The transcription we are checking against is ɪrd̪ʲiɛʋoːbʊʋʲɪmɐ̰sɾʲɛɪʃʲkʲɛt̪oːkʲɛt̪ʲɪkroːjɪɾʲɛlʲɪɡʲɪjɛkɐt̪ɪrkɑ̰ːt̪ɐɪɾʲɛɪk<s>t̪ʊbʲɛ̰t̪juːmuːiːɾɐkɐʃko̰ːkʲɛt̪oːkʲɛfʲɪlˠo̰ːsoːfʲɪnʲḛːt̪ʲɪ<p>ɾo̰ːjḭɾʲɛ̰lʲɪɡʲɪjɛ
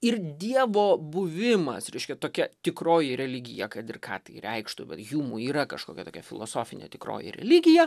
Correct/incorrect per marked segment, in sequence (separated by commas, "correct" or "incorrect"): incorrect, incorrect